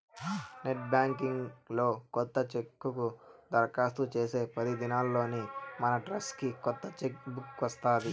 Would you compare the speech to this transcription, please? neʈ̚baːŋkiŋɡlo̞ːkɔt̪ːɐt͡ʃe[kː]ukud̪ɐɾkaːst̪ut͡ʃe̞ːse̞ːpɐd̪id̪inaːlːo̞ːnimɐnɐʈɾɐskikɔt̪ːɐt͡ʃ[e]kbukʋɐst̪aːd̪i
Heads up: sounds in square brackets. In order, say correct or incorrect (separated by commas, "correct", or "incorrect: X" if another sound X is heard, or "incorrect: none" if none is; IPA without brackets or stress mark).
correct, correct